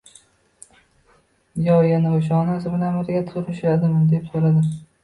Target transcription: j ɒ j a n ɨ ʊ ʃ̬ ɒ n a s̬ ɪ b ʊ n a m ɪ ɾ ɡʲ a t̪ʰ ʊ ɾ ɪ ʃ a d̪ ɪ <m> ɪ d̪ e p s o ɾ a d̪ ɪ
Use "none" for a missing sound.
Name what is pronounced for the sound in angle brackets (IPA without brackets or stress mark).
m